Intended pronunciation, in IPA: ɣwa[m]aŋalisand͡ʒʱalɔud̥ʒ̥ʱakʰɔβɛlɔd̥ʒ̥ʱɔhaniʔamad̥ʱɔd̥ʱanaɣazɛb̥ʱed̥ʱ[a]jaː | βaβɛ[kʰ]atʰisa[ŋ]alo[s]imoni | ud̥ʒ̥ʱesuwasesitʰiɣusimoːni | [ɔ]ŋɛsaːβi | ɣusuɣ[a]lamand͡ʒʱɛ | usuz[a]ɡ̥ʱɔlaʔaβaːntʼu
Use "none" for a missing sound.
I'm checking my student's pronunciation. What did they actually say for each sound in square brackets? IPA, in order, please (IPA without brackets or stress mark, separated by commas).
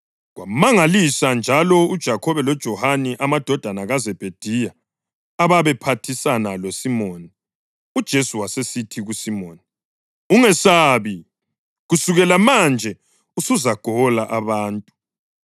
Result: m, i, pʰ, n, s, u, ɛ, a